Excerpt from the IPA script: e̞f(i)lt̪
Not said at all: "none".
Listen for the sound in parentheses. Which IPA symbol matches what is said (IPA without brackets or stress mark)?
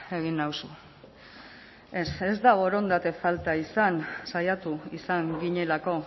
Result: a